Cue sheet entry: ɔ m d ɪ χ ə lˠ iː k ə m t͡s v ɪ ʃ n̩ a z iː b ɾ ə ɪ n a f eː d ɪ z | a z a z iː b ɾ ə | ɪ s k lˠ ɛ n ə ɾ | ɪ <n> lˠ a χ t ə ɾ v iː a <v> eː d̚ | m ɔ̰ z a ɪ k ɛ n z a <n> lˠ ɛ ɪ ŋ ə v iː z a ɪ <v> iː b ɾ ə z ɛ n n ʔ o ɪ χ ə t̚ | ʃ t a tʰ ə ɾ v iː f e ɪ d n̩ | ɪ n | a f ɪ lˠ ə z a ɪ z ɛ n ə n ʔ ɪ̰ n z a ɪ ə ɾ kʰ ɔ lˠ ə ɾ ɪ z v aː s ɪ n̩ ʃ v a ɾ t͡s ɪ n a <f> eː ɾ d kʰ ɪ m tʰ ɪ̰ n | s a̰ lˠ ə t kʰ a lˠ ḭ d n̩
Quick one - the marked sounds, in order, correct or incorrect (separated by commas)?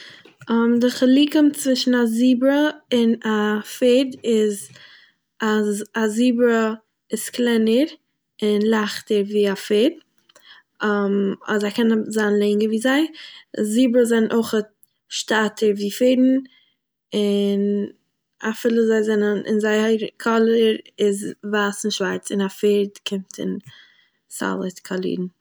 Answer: correct, incorrect, correct, incorrect, correct